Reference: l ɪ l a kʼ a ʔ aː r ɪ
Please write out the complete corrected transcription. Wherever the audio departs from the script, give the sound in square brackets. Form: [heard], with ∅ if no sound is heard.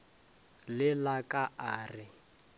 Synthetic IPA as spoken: l ɪ l a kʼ a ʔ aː r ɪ